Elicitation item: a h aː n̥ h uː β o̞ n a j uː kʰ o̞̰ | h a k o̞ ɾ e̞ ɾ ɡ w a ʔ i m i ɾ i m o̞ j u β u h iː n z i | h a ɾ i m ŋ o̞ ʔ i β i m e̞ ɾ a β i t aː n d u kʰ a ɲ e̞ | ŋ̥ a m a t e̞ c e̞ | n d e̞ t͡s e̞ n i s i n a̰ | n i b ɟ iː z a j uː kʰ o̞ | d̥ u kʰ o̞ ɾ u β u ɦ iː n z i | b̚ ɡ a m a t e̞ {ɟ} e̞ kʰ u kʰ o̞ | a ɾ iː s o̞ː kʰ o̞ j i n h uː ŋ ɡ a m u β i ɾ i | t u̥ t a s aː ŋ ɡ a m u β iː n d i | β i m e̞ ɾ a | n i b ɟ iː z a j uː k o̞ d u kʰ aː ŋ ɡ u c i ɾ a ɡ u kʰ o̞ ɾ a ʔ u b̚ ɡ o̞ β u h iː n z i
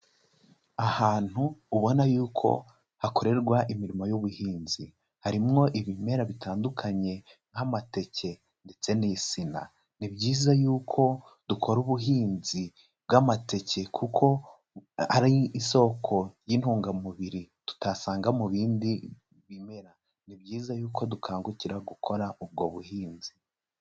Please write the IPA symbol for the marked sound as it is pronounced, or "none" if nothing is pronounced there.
c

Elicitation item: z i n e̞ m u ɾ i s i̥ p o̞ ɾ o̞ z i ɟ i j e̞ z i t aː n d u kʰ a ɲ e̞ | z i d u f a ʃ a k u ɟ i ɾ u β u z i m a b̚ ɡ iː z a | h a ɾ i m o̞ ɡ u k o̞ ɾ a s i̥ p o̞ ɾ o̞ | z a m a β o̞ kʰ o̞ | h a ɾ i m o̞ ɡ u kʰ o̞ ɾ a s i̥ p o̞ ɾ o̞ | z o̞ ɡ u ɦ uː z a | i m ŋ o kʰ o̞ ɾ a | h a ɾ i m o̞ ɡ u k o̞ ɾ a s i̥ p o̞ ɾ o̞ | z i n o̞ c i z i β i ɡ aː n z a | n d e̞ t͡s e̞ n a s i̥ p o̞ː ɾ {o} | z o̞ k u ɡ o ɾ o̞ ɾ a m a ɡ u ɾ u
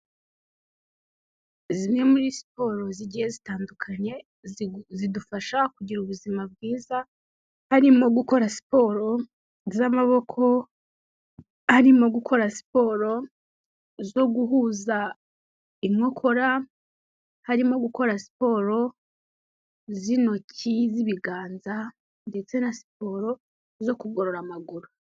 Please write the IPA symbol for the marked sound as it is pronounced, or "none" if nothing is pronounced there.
o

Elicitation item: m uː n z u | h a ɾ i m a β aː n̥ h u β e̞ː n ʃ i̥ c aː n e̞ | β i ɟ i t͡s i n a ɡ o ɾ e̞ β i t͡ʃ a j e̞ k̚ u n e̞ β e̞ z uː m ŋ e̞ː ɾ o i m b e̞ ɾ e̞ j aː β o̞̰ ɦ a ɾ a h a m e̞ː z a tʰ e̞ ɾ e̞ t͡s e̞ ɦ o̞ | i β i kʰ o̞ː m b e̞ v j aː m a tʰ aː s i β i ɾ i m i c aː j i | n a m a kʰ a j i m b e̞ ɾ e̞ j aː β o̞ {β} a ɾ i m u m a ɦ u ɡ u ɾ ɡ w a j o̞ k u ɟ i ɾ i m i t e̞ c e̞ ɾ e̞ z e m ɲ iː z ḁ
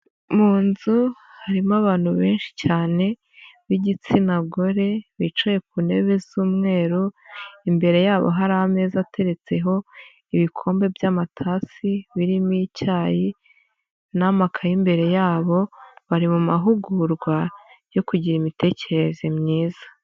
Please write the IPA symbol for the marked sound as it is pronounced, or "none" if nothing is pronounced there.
β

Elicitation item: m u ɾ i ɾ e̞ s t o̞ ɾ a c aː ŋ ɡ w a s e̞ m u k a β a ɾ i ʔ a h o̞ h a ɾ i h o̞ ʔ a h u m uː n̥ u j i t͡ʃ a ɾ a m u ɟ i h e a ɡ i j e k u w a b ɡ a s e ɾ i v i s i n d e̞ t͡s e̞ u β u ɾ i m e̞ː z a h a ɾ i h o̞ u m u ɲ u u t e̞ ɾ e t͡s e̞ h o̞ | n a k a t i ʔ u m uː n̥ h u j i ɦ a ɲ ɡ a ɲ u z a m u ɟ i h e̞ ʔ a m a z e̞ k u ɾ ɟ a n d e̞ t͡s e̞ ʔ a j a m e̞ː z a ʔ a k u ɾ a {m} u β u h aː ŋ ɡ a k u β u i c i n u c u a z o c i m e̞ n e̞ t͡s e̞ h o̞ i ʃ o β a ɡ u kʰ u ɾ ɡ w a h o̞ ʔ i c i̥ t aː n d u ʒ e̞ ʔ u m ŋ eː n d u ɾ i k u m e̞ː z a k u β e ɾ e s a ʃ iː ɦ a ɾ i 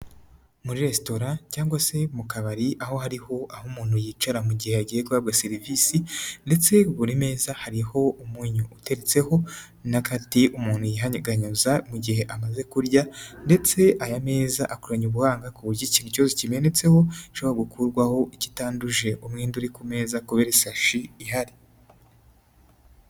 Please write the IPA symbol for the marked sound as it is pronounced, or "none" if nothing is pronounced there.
ɲ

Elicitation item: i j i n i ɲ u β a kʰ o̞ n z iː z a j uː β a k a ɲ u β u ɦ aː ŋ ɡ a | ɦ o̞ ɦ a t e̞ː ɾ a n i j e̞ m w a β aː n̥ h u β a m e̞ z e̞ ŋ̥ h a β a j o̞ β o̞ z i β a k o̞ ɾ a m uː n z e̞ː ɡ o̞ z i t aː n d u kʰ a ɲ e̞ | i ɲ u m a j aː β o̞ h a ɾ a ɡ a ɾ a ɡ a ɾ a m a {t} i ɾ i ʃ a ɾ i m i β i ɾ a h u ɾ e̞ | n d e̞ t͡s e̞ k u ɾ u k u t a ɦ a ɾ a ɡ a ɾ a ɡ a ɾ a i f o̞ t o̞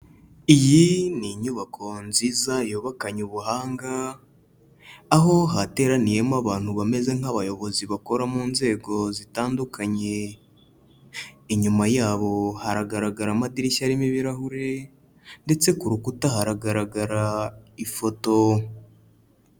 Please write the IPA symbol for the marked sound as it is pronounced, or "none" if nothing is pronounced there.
d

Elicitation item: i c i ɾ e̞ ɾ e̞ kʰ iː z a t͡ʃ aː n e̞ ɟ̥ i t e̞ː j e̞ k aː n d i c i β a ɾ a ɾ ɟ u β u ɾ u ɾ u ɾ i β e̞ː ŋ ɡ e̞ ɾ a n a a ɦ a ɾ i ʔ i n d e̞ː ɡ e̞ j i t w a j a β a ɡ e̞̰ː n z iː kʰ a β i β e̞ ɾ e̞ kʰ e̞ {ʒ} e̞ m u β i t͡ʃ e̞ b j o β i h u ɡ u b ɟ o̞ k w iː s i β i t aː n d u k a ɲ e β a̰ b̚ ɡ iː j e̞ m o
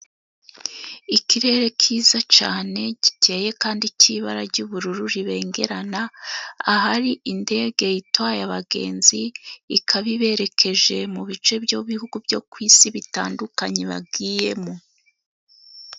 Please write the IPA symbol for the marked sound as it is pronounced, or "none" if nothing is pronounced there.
ʒ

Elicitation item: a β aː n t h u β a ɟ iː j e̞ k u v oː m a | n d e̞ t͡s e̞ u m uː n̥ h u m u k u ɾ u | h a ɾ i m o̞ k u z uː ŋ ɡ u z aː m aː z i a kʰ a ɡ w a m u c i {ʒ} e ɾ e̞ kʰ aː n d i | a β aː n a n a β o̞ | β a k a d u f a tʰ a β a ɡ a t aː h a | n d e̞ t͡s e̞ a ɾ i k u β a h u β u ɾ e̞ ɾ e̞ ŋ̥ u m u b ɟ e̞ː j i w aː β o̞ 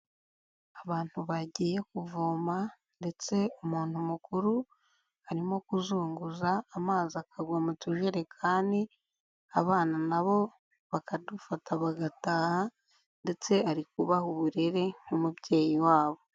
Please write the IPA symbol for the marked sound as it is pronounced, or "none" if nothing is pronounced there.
ʒ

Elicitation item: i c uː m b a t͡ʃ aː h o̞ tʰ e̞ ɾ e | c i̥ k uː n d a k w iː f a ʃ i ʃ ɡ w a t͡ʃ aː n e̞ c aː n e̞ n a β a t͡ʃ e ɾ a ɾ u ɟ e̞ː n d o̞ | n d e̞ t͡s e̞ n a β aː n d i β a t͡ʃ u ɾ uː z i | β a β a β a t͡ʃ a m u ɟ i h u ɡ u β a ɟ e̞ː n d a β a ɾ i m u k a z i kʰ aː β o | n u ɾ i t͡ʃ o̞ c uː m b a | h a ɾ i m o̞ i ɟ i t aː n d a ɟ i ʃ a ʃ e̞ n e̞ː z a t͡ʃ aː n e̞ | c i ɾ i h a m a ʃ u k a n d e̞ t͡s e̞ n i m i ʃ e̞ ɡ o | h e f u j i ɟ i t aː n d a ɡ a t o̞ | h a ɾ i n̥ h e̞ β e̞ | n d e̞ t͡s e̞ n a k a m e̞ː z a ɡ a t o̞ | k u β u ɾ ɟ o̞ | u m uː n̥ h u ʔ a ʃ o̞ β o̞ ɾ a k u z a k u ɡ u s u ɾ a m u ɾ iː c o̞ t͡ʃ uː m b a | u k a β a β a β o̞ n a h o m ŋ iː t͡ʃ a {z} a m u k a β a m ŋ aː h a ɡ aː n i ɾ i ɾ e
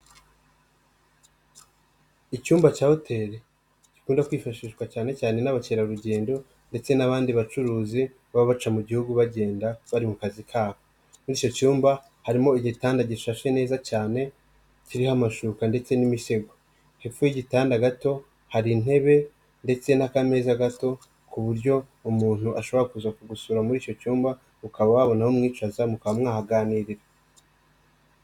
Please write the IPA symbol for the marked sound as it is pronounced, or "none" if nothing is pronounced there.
z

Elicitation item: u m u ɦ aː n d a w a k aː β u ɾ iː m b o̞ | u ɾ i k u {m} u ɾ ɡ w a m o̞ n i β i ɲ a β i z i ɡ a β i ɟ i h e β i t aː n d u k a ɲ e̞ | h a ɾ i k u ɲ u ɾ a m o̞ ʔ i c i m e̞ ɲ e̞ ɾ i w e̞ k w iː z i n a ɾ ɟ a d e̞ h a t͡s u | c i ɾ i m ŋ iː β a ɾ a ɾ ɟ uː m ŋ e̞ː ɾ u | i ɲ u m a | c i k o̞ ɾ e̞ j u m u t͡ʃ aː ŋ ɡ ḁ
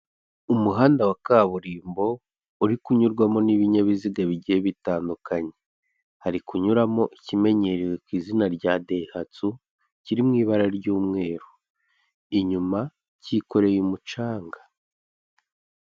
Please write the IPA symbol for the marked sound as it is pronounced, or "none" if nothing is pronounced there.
ɲ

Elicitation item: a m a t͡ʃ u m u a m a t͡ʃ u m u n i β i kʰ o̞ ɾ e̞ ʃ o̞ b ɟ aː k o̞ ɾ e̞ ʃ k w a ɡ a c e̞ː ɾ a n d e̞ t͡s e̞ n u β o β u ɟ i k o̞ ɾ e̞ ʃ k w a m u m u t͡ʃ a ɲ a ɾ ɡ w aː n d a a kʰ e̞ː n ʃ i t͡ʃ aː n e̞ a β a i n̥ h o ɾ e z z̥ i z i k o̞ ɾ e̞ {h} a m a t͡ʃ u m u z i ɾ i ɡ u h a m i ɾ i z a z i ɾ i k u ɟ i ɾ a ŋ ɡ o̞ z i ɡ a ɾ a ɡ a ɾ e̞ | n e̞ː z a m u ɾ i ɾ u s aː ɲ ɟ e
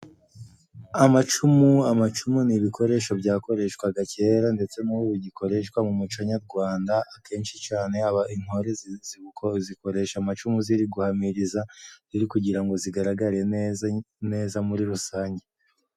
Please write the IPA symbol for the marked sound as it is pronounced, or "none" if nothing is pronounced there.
ʃ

